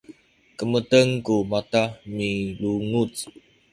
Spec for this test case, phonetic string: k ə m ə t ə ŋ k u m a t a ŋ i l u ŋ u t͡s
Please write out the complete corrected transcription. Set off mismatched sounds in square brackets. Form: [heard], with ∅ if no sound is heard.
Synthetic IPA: k ə m ə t ə ŋ k u m a t a [m] i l u ŋ u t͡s